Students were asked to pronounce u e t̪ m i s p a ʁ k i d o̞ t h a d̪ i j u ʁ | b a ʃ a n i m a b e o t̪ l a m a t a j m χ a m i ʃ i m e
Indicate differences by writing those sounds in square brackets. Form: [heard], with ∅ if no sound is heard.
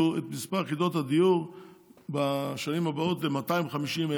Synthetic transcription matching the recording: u e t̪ m i s p a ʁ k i d o̞ t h a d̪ i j u ʁ | b a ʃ a n i m a b [a] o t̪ l [e] m a t a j m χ a m i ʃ i m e